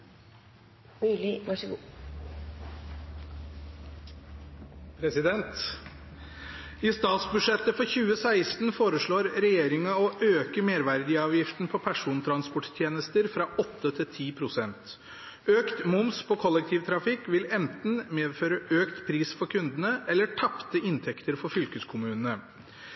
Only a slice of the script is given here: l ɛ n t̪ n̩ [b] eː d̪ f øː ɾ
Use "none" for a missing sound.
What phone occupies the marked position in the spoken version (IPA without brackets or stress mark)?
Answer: m